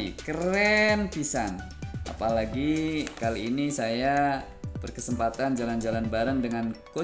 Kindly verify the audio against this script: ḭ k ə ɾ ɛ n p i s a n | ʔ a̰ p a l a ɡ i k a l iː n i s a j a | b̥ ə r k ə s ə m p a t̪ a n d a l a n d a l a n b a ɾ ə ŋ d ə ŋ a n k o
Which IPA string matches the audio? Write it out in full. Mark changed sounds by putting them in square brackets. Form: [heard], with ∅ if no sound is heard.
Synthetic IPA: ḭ k ə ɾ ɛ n p i s a n | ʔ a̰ p a l a ɡ i k a l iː n i s a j a | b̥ ə r k ə s ə m p a t̪ a n [d͡ʒ] a l a n [d͡ʒ] a l a n b a ɾ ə ŋ d ə ŋ a n k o